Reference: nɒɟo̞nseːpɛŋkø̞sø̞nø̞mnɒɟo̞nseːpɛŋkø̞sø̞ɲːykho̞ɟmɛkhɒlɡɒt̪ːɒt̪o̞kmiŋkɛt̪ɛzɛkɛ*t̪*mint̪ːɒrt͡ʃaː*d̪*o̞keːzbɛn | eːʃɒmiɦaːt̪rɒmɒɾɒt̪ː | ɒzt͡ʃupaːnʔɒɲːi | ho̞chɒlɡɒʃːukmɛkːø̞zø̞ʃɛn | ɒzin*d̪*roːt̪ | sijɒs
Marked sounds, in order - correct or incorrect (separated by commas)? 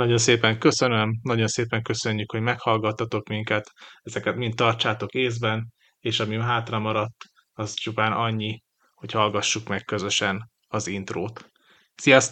correct, incorrect, incorrect